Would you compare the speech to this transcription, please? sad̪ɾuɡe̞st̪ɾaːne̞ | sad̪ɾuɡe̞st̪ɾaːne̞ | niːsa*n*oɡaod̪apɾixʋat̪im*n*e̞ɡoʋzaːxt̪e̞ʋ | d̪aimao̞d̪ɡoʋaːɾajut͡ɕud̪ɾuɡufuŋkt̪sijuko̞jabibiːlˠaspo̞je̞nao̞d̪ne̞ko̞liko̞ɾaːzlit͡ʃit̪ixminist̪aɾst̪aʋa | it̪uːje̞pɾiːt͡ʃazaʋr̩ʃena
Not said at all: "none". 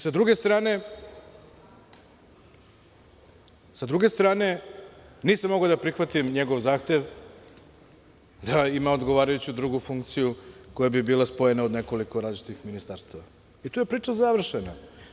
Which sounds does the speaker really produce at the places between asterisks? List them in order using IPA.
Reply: m, ɲ

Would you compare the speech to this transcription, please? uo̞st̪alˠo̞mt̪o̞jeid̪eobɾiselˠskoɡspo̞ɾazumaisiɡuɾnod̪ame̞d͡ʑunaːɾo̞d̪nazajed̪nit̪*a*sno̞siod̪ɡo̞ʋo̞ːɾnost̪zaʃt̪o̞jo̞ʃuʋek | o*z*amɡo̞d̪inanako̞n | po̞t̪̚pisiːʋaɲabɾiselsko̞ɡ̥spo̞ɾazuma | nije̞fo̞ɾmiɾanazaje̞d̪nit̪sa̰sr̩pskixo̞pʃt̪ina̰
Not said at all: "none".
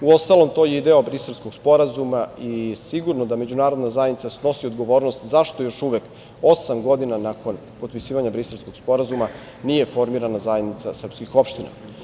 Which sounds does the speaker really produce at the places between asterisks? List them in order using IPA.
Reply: a, s

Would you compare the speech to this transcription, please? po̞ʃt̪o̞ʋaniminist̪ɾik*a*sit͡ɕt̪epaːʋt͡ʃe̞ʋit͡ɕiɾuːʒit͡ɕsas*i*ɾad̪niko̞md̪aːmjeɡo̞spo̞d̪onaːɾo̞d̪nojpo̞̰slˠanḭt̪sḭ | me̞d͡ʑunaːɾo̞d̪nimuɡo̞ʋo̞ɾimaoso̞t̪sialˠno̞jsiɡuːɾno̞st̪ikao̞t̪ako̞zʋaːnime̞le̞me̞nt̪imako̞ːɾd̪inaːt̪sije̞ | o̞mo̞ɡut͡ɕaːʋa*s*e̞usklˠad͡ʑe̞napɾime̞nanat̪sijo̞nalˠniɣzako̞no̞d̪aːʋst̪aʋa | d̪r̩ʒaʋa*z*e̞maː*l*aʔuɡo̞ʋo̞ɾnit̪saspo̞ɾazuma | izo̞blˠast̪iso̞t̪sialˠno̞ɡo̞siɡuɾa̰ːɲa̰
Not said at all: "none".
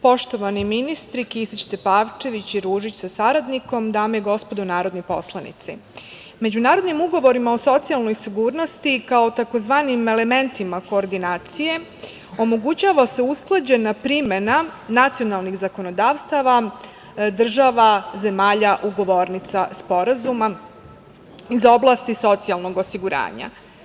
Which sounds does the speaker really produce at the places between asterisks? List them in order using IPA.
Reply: i, a, s, z, ʎ

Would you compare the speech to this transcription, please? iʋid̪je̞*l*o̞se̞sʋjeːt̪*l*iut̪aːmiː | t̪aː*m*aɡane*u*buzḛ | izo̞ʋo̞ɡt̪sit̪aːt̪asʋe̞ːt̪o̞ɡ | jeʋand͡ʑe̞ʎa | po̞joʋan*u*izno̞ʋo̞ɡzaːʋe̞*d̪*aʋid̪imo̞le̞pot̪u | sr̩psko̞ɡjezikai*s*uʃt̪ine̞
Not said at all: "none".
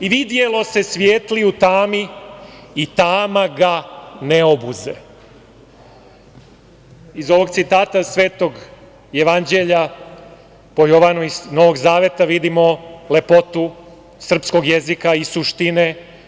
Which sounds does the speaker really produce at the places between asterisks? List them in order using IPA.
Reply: l, l, m, o, u, t̪, s

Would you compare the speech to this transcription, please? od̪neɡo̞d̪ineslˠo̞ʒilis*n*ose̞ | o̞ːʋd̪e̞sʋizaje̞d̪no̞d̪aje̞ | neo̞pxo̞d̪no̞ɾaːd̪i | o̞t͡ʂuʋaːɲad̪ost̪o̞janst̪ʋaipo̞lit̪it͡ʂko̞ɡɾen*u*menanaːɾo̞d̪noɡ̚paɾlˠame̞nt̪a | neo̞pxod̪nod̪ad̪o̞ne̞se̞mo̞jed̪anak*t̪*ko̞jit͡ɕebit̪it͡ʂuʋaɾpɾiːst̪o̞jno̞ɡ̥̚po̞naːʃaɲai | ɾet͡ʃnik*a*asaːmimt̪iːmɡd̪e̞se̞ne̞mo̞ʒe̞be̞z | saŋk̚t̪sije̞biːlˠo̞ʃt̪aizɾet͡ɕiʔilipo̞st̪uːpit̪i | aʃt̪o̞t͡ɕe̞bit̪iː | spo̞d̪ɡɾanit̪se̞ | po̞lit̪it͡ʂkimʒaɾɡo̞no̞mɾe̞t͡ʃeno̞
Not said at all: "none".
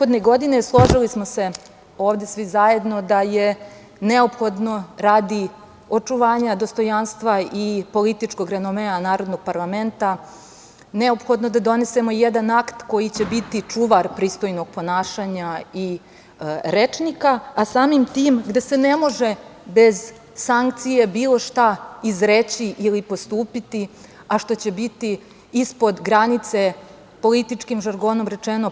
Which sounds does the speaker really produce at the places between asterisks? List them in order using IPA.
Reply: m, o, t̪, a

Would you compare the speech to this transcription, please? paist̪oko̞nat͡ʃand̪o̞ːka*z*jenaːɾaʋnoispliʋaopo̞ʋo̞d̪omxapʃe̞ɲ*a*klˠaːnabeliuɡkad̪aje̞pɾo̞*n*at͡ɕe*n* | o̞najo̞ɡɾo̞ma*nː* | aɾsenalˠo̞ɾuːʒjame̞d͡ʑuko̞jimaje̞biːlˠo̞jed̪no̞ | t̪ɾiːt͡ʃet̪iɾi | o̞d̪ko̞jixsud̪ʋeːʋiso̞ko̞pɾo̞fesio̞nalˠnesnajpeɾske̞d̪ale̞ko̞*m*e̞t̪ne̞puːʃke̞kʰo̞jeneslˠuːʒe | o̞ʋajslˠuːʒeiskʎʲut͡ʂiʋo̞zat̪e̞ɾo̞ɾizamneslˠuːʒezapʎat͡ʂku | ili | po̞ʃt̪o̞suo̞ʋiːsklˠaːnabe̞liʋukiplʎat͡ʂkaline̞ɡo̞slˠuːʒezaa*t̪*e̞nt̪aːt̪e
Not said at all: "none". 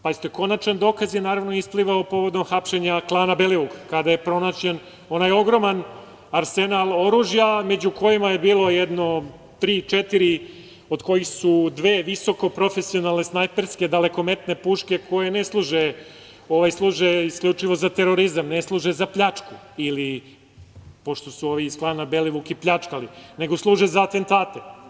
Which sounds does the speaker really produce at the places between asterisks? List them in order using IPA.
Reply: z, a, n, n, n, m, t̪

